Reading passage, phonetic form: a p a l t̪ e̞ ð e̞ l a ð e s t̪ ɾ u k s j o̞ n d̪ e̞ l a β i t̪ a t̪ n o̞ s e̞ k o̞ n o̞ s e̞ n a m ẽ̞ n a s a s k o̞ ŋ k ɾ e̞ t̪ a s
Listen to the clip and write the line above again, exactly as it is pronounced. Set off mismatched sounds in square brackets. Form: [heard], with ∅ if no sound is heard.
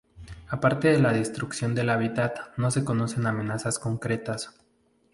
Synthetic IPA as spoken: a p a [ɾ] t̪ e̞ ð e̞ l a ð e s t̪ ɾ u k s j o̞ n d̪ e̞ l a β i t̪ a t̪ n o̞ s e̞ k o̞ n o̞ s e̞ n a m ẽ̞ n a s a s k o̞ ŋ k ɾ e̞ t̪ a s